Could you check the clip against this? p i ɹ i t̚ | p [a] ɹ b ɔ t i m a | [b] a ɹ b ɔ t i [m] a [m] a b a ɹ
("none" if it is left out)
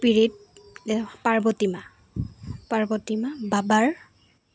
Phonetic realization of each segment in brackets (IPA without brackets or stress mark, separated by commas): a, p, m, b